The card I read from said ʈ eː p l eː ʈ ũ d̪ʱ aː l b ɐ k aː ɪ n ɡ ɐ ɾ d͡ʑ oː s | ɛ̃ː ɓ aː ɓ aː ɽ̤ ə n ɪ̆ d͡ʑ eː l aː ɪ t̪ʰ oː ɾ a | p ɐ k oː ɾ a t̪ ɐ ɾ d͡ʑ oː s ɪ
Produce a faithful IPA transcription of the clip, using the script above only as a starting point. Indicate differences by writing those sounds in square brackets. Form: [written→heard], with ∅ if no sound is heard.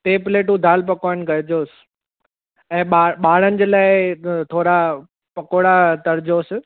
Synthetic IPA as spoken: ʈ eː p l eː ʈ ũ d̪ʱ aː l [b→p] ɐ k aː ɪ n ɡ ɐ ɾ d͡ʑ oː s | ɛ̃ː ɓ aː ɓ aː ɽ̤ ə n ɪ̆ d͡ʑ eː l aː ɪ t̪ʰ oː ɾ a | p ɐ k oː [ɾ→ɽ] a t̪ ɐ ɾ d͡ʑ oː s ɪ